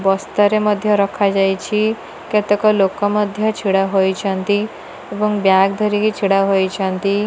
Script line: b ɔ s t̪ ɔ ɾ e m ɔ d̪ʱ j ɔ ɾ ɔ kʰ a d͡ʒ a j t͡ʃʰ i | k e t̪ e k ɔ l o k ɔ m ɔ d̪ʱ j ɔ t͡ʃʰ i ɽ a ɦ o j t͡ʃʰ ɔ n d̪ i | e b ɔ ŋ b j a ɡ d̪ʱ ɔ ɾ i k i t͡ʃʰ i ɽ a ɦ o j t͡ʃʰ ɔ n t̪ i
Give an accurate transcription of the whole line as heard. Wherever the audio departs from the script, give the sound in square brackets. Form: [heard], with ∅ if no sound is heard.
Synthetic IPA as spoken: b ɔ s t̪ ɔ ɾ e m ɔ d̪ʱ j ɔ ɾ ɔ kʰ a d͡ʒ a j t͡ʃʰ i | k e t̪ e k ɔ l o k ɔ m ɔ d̪ʱ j ɔ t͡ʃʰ i ɽ a ɦ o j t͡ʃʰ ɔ n [t̪] i | e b ɔ ŋ b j a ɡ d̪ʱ ɔ ɾ i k i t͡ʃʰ i ɽ a ɦ o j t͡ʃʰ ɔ n t̪ i